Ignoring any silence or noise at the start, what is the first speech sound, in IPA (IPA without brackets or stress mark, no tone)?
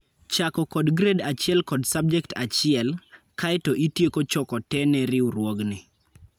t͡ʃ